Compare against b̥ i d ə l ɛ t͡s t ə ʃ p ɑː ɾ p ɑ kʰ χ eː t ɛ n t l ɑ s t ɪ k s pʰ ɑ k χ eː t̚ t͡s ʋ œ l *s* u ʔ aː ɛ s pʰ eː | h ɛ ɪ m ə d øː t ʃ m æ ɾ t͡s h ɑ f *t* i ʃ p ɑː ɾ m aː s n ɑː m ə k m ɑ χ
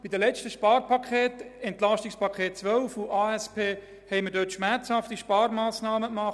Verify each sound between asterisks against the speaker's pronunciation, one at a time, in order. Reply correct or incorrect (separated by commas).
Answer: incorrect, correct